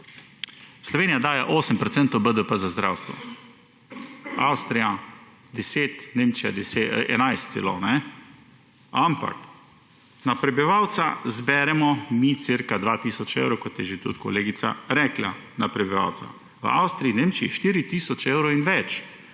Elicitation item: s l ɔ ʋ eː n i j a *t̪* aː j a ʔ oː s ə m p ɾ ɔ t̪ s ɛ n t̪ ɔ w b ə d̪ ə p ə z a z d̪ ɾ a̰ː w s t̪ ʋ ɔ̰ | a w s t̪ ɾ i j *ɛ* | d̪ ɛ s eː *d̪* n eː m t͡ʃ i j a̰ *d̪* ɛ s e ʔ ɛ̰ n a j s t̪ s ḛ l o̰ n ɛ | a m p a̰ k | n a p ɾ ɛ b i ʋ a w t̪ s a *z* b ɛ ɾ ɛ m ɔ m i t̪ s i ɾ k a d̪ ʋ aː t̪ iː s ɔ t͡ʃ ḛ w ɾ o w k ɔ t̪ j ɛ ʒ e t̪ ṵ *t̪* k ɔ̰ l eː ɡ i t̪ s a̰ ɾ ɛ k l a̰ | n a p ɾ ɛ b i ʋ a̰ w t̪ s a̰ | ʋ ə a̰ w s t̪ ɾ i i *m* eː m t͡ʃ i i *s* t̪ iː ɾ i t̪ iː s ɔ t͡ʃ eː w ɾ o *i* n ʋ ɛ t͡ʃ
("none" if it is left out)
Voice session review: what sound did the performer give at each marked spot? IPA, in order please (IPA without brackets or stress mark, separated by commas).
d̪, a, t̪, d̪, z, t̪, n, ʃ, i